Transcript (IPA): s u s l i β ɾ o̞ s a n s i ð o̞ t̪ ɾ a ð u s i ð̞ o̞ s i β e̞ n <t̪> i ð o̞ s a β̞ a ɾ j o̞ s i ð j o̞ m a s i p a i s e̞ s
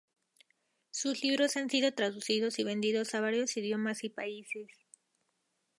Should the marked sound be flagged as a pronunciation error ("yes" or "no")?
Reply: yes